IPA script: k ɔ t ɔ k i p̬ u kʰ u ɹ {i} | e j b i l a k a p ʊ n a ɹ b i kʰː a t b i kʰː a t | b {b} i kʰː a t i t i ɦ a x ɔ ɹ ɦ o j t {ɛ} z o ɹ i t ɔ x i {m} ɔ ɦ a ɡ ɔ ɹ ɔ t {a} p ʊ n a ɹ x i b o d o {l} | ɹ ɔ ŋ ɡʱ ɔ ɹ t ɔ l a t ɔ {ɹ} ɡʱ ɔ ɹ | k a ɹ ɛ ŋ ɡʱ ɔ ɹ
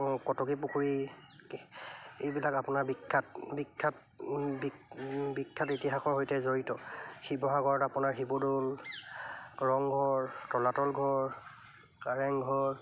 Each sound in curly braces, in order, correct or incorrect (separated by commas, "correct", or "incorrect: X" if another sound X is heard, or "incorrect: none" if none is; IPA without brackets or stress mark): correct, correct, correct, incorrect: b, correct, correct, incorrect: l